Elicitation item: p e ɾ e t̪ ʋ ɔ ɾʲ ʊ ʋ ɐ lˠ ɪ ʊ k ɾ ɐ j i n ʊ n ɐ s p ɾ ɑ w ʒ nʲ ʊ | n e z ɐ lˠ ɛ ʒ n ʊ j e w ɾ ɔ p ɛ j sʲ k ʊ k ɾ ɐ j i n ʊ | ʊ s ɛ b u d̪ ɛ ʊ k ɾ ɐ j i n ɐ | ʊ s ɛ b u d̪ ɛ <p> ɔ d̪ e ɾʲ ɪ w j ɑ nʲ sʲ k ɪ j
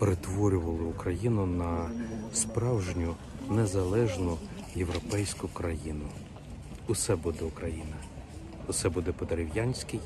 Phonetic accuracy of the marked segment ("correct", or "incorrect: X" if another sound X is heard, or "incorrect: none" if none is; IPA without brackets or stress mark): correct